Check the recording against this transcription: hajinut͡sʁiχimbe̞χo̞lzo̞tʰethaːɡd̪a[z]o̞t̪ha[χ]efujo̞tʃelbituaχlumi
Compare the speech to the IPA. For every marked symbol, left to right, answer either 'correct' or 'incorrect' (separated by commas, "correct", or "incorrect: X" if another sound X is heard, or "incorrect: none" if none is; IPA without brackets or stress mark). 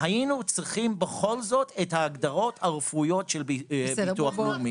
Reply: incorrect: ʁ, incorrect: ʁ